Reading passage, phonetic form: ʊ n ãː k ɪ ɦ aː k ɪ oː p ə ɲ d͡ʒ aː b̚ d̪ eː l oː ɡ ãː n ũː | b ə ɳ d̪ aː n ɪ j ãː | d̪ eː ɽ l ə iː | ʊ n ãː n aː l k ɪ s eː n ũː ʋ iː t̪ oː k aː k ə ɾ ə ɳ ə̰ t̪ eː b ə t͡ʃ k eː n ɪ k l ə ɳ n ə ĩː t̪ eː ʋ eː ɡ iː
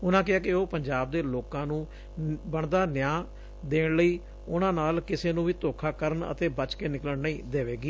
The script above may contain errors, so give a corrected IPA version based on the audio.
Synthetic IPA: ʊ n ãː k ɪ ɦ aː k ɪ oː p ə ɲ d͡ʒ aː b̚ d̪ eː l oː k ãː n ũː | b ə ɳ d̪ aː n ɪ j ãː | d̪ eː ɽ l ə iː | ʊ n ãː n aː l k ɪ s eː n ũː ʋ iː t̪ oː kʰ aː k ə ɾ ə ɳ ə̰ t̪ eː b ə t͡ʃ k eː n ɪ k l ə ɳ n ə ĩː d̪ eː ʋ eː ɡ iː